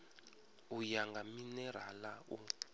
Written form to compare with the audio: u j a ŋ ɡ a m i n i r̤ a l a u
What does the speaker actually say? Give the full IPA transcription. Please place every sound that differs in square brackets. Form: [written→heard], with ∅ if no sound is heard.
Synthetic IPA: u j a ŋ ɡ a m i n [i→ɛ] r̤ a l a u